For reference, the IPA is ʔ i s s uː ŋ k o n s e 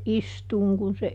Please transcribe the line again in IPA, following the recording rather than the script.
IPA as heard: ʔ i s t uː ŋ k u n s e